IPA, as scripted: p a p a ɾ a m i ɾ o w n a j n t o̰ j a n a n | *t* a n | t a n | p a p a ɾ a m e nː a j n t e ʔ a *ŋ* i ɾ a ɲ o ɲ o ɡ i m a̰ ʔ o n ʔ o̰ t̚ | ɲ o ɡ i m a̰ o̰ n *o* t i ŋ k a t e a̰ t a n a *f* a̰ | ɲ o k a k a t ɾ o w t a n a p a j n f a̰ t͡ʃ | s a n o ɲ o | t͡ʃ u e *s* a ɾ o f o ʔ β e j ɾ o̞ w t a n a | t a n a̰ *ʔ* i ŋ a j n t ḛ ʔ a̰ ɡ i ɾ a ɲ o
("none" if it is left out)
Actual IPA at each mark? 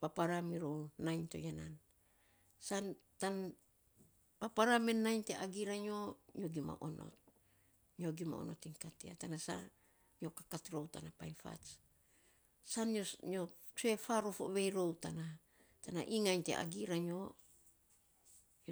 s, ɡ, o, s, f, ʔ

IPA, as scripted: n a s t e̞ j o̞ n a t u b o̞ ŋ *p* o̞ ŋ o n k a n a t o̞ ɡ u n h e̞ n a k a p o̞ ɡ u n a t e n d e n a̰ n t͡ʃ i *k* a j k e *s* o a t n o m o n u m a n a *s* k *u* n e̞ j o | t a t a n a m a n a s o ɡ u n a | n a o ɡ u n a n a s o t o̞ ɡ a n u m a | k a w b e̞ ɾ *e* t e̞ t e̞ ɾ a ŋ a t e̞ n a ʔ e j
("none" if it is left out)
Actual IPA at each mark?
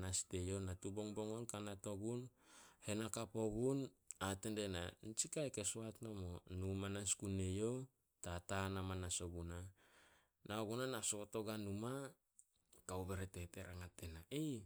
b, k, s, s, u, e

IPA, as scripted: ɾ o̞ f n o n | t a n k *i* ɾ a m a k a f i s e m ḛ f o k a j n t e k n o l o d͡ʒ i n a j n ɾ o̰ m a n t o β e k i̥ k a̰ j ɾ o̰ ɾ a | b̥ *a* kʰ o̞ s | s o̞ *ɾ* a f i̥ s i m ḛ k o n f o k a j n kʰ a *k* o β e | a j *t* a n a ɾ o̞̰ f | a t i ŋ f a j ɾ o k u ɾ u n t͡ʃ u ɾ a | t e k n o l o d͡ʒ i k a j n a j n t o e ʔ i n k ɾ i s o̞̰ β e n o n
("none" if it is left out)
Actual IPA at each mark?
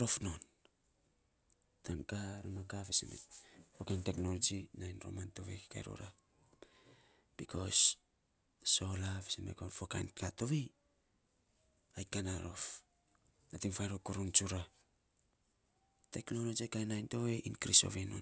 a, i, l, t, k

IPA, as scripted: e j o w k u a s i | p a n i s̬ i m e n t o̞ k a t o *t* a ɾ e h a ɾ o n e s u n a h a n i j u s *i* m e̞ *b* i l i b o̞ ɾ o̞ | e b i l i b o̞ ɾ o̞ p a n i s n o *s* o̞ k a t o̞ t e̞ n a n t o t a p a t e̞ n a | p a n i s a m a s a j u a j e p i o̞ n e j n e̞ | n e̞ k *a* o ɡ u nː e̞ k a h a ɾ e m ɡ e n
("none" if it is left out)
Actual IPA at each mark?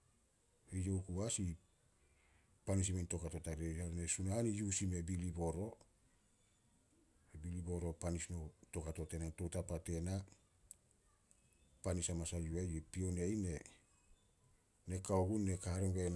t, i, b, t, a

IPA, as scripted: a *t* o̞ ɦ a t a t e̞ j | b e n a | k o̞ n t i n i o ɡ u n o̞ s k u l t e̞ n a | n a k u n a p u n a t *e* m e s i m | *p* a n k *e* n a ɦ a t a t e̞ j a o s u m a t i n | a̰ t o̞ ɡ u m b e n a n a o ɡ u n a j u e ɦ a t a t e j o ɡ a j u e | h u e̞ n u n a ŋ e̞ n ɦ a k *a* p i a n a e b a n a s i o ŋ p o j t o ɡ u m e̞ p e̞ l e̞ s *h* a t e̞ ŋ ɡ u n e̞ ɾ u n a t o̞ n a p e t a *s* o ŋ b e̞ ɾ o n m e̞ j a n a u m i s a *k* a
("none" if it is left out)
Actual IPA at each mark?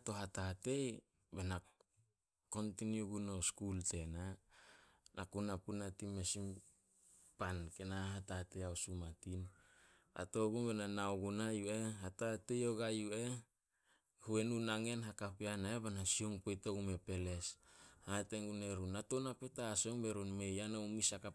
t, i, p, e, a, h, s, k

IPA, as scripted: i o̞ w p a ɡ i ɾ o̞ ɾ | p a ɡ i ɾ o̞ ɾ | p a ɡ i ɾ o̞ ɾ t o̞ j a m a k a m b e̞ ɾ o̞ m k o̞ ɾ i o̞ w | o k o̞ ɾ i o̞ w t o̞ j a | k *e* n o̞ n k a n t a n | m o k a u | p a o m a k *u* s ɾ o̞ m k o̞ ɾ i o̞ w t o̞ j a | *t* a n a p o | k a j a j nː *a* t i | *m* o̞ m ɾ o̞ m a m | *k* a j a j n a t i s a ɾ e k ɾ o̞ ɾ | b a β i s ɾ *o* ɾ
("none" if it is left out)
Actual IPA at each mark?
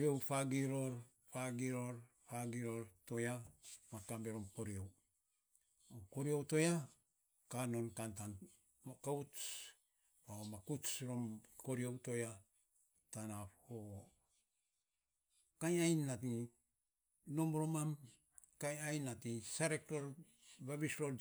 a, u, t, a, n, k, o

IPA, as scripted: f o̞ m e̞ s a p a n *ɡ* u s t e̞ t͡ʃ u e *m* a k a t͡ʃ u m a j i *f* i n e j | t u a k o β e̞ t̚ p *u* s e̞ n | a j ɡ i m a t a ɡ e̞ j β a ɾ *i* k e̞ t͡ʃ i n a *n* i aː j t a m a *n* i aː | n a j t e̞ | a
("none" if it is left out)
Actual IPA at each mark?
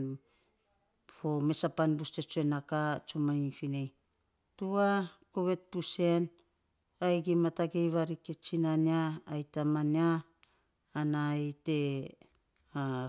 b, n, f, u, i, n, n

